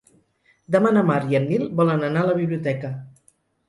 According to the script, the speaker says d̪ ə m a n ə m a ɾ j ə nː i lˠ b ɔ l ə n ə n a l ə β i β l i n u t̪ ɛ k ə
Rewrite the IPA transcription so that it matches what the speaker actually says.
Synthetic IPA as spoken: d̪ ə m a n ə m a ɾ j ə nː i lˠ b ɔ l ə n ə n a l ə β i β l i u t̪ ɛ k ə